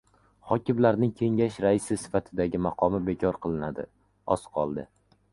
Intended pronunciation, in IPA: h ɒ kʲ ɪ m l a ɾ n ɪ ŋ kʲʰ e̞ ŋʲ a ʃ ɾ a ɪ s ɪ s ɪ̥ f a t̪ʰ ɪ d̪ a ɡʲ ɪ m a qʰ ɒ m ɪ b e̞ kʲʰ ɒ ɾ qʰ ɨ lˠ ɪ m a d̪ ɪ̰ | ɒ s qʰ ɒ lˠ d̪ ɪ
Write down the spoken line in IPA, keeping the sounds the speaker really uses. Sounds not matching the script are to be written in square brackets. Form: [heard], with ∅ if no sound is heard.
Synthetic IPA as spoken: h ɒ kʲ ɪ m l a ɾ n ɪ ŋ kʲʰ e̞ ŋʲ a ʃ ɾ a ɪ s ɪ s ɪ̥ f a t̪ʰ ɪ d̪ a ɡʲ ɪ m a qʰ ɒ m ɪ b e̞ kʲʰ ɒ ɾ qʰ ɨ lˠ ɪ [n] a d̪ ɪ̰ | ɒ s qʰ ɒ lˠ d̪ ɪ